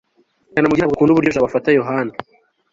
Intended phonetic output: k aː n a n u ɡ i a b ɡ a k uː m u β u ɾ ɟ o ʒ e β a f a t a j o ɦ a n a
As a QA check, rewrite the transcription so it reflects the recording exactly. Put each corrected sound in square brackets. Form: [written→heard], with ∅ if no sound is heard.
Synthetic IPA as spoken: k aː n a [n→m] u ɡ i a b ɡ a k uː [m→n] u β u ɾ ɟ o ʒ [e→a] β a f a t a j o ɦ a n a